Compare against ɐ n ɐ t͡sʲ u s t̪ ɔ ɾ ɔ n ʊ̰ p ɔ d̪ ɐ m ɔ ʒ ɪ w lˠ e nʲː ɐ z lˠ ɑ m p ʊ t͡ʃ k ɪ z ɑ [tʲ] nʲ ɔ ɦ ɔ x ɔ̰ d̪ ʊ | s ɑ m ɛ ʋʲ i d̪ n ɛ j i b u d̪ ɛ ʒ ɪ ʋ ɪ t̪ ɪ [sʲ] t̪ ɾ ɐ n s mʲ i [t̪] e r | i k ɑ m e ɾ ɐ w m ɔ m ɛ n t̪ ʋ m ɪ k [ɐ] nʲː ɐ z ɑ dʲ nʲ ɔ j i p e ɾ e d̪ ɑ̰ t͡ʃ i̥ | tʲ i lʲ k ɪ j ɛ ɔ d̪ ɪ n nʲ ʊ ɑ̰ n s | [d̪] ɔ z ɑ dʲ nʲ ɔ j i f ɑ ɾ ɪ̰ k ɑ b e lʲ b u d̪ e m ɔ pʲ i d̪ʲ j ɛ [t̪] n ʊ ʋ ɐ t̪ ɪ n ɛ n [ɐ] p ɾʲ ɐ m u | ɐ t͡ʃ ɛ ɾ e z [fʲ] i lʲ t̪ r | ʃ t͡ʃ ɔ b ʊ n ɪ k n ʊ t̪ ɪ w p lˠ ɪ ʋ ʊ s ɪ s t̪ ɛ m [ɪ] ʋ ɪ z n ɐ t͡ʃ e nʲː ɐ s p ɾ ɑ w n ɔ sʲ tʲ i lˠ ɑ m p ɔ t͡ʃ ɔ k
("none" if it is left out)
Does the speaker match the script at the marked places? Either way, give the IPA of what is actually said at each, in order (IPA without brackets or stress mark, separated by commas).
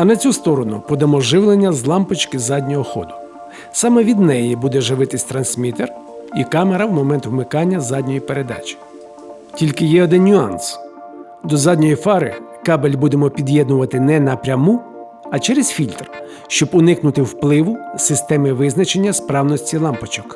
dʲ, sʲ, t̪, ɑ, d̪, d̪, ɐ, fʲ, ɪ